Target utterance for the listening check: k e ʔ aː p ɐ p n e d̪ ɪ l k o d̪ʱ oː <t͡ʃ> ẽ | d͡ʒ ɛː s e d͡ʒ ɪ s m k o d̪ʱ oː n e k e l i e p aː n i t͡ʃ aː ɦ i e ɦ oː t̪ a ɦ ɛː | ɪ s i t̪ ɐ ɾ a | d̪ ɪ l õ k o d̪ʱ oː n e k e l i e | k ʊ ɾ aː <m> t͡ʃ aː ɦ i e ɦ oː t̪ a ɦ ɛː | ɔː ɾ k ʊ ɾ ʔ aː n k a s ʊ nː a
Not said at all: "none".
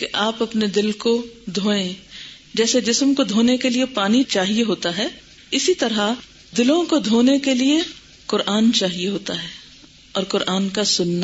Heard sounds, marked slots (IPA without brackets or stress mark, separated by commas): none, n